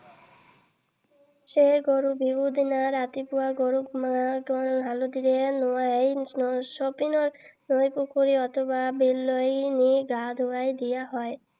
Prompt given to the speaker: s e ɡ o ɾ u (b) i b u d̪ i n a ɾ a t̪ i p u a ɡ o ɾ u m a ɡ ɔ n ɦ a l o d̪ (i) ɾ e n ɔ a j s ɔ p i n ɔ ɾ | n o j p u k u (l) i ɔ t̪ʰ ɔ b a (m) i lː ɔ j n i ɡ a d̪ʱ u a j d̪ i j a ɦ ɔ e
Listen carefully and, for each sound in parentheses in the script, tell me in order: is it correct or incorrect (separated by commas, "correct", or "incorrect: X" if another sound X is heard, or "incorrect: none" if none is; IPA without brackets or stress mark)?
correct, correct, incorrect: ɾ, incorrect: b